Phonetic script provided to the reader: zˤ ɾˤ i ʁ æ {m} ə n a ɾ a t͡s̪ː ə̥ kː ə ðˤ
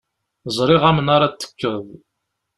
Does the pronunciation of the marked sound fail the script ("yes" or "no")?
no